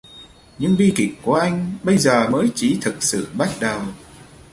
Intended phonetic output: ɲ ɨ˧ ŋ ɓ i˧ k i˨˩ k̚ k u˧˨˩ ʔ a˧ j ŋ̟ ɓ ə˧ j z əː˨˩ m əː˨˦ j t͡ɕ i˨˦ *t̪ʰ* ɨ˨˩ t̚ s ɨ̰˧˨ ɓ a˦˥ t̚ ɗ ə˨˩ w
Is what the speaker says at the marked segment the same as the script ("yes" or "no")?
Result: yes